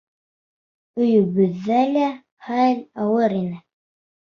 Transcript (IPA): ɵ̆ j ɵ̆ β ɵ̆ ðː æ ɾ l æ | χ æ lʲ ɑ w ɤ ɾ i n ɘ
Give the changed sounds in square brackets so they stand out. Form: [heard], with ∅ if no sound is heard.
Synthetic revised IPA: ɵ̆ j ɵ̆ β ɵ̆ ðː æ [∅] l æ | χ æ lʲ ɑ w ɤ ɾ i n ɘ